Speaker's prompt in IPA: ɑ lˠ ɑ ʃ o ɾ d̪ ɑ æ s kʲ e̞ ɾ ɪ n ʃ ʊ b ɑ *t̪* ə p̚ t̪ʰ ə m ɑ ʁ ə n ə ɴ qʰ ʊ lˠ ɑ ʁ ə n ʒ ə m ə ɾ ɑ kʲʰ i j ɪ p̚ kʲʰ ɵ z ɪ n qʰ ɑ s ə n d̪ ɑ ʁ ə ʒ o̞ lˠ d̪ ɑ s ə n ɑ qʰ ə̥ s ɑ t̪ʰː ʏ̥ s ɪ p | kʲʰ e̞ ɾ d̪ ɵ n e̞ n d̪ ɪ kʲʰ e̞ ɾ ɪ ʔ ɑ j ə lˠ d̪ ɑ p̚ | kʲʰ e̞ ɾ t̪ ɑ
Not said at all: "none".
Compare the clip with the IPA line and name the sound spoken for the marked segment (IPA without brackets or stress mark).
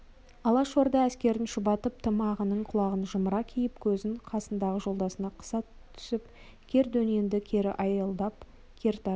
t̪